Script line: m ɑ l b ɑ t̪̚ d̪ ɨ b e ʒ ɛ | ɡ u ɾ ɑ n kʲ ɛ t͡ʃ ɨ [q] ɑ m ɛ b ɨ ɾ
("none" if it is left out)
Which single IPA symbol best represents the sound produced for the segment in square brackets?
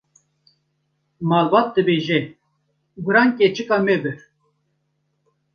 k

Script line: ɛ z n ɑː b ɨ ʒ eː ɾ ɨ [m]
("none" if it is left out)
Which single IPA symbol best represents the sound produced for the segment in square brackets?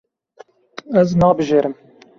m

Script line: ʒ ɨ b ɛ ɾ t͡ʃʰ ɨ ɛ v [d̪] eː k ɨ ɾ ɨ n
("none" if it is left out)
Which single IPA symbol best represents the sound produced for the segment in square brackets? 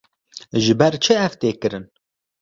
t̪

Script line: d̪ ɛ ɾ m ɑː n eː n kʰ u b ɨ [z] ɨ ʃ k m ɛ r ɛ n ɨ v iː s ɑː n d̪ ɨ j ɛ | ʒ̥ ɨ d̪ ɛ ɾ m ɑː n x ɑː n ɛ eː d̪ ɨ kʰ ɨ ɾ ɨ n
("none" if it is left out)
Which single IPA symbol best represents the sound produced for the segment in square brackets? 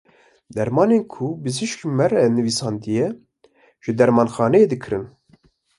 z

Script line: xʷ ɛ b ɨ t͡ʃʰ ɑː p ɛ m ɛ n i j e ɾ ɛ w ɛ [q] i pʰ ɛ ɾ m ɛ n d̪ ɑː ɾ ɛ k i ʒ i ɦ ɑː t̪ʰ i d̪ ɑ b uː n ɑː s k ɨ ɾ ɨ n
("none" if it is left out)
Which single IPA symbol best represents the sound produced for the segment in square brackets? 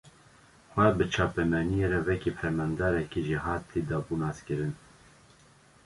k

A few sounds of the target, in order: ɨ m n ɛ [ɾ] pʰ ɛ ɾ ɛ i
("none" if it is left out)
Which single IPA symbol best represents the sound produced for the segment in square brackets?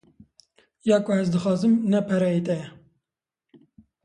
none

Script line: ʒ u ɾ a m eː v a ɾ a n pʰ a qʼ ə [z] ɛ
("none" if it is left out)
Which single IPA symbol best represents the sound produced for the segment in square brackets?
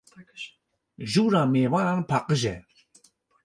ʒ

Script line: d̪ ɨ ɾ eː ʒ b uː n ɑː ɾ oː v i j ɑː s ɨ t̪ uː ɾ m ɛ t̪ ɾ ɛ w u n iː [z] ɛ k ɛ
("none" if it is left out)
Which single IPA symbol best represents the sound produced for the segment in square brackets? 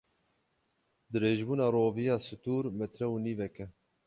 v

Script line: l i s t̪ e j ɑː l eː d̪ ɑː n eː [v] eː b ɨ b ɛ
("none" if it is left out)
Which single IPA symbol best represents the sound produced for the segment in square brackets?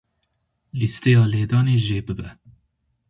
ʒ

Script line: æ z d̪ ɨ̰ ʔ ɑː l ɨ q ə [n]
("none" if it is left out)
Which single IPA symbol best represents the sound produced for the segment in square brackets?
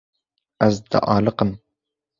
m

